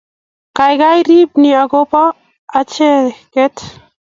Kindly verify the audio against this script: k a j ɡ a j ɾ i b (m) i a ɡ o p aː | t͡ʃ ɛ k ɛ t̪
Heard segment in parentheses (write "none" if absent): n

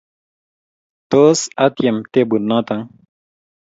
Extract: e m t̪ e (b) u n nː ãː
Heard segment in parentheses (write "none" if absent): b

